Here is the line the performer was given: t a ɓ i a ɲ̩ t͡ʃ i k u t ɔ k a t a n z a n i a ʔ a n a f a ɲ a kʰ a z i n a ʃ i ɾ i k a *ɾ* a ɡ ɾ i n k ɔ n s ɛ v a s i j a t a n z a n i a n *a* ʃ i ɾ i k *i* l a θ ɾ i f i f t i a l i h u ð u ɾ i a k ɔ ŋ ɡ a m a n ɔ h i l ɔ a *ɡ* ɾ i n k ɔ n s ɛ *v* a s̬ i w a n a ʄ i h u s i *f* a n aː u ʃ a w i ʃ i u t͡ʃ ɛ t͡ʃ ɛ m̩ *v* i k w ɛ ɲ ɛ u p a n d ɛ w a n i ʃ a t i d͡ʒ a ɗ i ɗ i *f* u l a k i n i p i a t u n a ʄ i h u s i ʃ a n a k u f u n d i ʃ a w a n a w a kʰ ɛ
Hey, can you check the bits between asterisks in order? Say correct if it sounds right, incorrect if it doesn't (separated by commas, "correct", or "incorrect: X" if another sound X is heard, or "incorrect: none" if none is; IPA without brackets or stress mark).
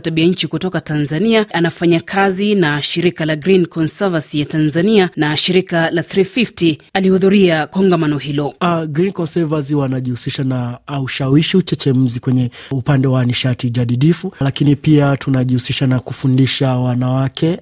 incorrect: l, correct, incorrect: a, correct, correct, incorrect: ʃ, incorrect: z, correct